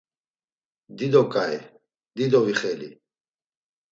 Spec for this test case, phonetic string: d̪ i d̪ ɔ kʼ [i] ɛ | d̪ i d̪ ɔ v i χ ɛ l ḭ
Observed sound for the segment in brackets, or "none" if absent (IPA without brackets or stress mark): a